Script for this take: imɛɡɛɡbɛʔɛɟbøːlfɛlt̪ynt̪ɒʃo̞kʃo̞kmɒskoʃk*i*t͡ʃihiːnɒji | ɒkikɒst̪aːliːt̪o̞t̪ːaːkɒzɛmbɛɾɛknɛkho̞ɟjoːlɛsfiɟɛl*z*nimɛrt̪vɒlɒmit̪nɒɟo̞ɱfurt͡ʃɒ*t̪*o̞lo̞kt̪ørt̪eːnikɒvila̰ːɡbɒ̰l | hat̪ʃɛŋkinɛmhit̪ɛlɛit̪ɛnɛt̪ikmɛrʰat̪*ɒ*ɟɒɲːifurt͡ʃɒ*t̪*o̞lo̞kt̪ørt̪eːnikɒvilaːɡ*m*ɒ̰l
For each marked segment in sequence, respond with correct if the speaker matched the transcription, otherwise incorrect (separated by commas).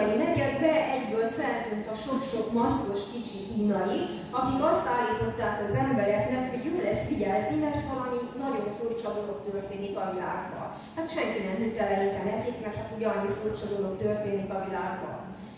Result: correct, correct, incorrect, incorrect, incorrect, incorrect